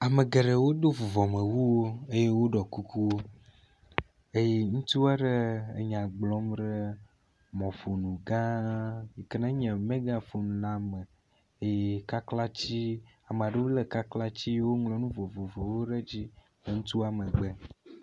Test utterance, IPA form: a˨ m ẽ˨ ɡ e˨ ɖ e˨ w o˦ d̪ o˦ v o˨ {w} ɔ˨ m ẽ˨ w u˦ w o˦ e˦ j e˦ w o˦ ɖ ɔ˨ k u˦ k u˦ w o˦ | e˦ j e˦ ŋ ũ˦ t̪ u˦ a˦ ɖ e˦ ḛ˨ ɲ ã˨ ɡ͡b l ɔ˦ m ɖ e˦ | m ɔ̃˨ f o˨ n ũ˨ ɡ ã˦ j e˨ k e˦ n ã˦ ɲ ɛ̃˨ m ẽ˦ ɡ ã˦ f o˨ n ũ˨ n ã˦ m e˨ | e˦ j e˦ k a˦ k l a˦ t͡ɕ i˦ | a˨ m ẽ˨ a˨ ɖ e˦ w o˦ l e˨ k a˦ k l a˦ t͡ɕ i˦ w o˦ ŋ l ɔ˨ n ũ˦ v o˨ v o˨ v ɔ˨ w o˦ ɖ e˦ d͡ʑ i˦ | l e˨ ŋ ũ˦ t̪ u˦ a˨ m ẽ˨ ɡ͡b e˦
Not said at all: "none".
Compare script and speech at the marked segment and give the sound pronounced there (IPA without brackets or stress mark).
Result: v